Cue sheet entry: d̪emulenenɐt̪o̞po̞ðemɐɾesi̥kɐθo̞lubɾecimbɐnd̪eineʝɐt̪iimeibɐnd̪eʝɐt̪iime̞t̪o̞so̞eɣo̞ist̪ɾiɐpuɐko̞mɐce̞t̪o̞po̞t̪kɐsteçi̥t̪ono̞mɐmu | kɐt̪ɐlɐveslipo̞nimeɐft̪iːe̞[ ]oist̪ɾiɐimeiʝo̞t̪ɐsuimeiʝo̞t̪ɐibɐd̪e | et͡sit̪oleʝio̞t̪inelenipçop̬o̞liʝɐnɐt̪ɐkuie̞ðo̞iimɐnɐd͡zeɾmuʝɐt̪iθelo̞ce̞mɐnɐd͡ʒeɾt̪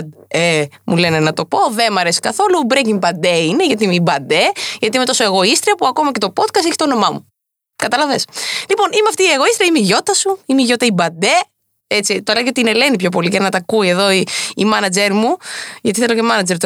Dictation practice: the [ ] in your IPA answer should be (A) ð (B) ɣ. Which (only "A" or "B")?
B